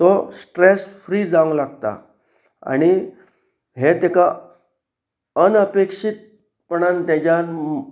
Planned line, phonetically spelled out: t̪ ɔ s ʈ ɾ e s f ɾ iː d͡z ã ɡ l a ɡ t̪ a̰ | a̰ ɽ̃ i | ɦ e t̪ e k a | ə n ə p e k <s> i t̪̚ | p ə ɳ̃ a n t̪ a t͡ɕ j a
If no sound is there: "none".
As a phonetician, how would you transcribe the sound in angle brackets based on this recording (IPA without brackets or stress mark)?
ʂ